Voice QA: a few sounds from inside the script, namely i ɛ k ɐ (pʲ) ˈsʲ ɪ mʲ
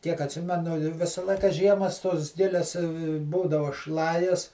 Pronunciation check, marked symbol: incorrect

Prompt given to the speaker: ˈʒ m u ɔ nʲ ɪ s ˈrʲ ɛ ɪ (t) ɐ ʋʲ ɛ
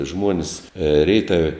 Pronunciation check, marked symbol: correct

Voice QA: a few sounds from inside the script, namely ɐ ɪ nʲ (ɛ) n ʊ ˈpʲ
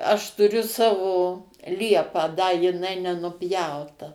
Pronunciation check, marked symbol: correct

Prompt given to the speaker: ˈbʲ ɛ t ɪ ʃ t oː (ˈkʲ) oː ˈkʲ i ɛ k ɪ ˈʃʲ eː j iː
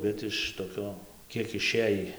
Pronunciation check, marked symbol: correct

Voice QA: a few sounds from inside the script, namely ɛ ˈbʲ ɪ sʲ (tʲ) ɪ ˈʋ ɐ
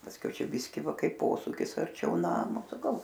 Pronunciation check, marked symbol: incorrect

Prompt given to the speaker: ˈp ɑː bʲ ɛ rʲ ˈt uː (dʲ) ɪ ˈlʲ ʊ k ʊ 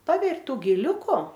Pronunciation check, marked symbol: incorrect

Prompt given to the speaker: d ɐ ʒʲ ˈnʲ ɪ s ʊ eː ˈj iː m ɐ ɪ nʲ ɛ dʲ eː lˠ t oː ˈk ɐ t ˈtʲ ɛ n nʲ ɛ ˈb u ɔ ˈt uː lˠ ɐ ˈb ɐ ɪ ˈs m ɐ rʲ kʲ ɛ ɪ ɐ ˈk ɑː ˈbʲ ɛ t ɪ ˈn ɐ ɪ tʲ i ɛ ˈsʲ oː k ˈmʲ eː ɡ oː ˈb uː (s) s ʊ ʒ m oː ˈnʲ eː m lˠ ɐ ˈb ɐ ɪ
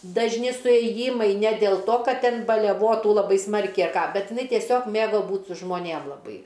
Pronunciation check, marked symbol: incorrect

